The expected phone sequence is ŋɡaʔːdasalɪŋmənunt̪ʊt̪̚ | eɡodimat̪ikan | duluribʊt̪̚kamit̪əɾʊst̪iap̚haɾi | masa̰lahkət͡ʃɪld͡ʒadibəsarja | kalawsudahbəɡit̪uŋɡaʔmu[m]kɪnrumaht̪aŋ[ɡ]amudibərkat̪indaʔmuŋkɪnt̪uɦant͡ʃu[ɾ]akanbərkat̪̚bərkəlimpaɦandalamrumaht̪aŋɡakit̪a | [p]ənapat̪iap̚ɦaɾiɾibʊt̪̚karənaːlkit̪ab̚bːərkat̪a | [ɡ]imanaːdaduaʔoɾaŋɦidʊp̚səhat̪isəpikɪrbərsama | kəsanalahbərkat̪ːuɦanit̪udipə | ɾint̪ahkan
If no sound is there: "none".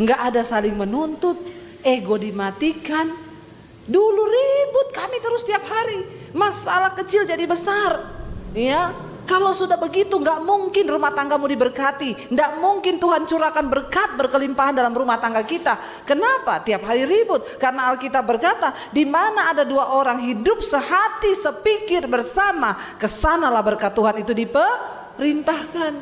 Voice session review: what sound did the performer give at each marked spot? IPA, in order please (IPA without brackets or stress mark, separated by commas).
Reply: ŋ, ɡ, ɾ, k, d